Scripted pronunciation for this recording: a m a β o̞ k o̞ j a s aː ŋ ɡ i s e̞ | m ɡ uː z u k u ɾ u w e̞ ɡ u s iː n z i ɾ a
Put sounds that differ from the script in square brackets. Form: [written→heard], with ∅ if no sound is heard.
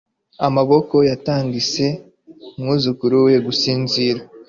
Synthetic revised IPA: a m a β o̞ k o̞ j a [s→t] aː ŋ ɡ i s e̞ | m [ɡ→ŋ] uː z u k u ɾ u w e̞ ɡ u s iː n z i ɾ a